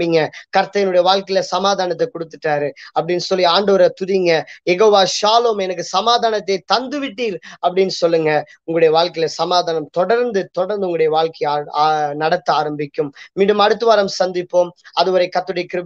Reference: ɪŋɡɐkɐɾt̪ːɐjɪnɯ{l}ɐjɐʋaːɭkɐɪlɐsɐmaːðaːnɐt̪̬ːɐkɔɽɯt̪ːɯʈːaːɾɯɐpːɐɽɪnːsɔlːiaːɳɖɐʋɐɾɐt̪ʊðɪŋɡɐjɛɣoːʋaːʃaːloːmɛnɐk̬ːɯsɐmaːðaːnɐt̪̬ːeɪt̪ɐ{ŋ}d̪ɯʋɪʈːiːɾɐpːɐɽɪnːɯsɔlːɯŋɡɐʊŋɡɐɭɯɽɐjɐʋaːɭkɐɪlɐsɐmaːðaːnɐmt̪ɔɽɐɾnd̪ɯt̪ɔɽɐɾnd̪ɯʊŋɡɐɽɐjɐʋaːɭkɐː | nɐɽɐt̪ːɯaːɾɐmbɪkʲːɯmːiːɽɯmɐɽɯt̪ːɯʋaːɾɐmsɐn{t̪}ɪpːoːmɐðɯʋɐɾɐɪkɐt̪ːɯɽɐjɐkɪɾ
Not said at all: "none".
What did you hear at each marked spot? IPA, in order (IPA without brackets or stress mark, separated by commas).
ɽ, n, d̪